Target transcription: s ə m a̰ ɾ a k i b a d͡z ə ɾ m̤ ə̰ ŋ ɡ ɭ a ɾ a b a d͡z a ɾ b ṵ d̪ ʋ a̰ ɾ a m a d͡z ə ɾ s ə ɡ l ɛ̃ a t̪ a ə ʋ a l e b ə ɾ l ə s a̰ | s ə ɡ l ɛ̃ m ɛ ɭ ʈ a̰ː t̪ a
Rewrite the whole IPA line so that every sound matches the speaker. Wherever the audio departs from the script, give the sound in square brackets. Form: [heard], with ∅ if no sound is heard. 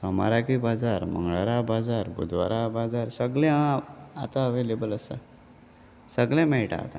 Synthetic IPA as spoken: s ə m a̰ ɾ a k i b a d͡z [a] ɾ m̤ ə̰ ŋ ɡ ɭ a ɾ a b a d͡z a ɾ b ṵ d̪ ʋ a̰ ɾ a [b] a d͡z [a] ɾ s ə ɡ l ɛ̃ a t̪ a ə ʋ [e] l e b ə [∅] l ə s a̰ | s ə ɡ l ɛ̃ m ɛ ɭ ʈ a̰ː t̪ a